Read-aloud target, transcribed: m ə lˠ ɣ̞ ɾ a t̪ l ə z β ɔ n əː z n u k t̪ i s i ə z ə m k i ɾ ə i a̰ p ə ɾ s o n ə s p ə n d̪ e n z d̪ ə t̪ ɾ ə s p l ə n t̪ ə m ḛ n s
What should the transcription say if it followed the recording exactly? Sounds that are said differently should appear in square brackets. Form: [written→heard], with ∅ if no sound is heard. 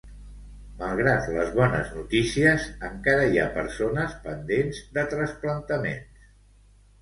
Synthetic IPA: m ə lˠ ɣ̞ ɾ a t̪ l ə z β ɔ n [əː→ə] z n u [k→∅] t̪ i s i ə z ə [m→ŋ] k [i→a] ɾ ə i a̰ p ə ɾ s o n ə s p ə n d̪ e n z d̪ ə t̪ ɾ ə s p l ə n t̪ ə m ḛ n s